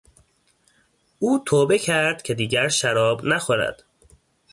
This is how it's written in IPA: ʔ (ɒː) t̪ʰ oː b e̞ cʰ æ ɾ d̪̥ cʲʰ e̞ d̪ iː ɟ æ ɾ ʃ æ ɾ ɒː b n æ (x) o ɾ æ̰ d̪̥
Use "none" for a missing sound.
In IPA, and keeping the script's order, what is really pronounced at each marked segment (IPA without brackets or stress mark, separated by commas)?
uː, x